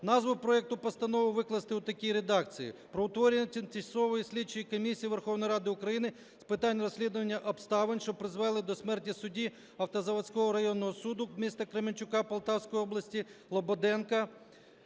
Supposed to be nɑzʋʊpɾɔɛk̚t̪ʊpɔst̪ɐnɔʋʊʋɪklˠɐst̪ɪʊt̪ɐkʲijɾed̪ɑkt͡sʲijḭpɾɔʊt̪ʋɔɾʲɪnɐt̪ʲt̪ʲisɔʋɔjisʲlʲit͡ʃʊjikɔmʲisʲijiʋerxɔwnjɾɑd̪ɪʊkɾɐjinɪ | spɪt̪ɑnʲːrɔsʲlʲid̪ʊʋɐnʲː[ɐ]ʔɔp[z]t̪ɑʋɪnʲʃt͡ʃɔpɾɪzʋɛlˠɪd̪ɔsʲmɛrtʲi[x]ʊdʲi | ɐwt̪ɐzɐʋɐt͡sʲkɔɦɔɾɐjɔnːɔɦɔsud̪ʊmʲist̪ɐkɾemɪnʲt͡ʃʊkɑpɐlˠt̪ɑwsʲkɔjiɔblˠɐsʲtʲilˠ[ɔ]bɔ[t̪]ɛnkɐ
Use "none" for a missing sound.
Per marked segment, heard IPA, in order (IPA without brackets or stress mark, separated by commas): ɐ, s, s, ɔ, d̪